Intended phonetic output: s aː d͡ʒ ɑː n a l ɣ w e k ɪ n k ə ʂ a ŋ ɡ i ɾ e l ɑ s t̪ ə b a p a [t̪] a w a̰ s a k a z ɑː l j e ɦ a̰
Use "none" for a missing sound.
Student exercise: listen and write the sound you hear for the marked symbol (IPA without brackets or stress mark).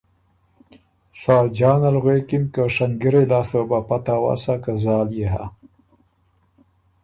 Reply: t̪